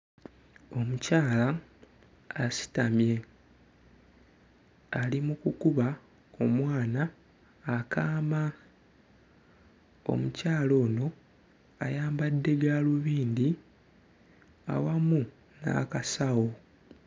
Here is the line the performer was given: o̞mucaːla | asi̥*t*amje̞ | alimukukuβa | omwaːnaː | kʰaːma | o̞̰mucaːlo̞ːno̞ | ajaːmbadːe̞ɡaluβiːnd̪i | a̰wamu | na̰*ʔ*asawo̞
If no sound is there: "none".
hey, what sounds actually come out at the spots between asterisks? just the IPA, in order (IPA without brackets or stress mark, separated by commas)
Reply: t, k